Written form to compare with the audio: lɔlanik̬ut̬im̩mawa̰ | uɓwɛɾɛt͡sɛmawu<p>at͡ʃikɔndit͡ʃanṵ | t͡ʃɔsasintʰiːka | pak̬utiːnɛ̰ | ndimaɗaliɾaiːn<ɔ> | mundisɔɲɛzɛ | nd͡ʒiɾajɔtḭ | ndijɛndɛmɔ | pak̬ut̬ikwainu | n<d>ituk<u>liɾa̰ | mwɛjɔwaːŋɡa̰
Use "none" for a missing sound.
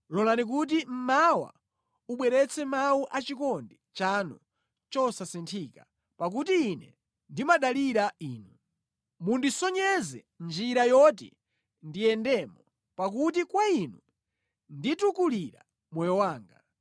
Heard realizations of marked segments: ʔ, u, d, u

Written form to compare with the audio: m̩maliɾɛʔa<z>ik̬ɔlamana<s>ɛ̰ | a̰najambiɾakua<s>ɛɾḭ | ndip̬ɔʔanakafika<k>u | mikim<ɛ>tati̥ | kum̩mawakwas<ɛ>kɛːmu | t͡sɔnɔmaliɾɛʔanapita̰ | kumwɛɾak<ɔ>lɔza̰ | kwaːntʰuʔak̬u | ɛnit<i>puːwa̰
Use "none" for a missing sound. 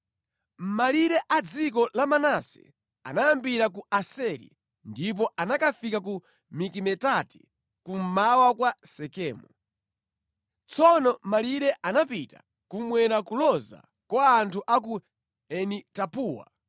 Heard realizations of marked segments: d͡z, s, s, k, ɛ, ɛ, u, a

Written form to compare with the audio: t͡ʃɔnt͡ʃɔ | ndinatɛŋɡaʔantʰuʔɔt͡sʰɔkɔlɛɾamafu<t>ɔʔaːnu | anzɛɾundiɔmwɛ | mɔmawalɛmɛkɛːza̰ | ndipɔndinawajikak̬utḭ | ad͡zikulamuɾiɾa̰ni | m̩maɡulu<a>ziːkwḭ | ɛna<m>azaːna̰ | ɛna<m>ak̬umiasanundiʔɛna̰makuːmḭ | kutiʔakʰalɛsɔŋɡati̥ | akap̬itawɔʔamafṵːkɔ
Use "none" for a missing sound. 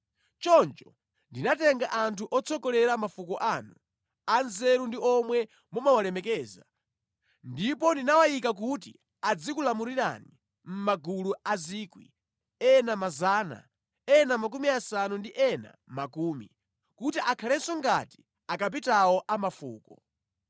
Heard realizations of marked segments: k, a, m, m

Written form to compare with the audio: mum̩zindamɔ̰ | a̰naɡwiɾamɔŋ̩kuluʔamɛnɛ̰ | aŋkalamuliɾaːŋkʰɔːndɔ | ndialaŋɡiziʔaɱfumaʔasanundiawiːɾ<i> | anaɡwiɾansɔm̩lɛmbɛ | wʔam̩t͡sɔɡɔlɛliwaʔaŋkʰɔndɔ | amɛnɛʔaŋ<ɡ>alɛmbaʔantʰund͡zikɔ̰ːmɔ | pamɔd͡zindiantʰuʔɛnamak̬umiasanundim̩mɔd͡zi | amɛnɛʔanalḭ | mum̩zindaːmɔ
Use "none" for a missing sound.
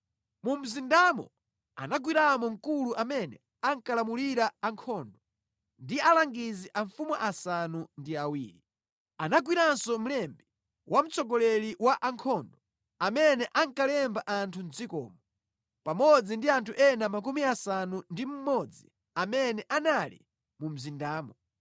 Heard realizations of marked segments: i, k

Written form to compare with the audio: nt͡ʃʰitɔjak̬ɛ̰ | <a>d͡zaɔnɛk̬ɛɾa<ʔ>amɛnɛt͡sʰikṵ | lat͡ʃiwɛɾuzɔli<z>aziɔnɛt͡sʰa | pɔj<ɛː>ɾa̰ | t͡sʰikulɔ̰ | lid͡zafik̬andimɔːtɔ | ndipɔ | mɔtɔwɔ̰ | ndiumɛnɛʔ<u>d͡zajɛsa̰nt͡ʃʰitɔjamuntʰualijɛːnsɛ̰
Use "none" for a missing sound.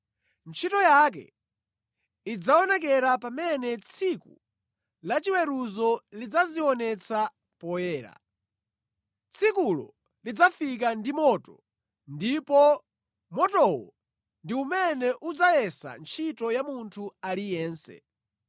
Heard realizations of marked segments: i, p, d͡z, ɛː, u

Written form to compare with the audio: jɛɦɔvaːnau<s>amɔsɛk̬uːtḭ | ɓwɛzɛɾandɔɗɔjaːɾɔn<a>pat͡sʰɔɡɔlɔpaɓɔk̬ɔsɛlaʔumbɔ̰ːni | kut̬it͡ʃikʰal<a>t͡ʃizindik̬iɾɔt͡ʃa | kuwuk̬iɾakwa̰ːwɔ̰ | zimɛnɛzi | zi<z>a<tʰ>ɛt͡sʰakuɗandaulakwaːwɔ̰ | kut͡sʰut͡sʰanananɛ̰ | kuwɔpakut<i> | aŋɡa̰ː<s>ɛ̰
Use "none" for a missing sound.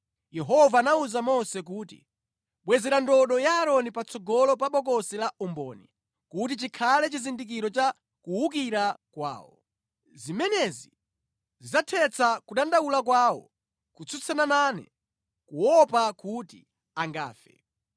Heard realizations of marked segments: z, i, ɛ, z, tʰ, i, f

